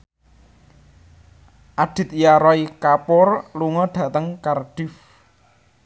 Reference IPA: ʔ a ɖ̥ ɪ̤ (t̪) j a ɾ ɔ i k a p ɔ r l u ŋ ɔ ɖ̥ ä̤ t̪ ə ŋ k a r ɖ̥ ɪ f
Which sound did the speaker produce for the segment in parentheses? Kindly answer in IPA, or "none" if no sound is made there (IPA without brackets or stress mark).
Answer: t̪